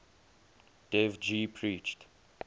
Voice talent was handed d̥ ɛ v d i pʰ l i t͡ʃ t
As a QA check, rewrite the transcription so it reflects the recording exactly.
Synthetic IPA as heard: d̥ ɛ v d͡ʒ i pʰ ɹ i t͡ʃ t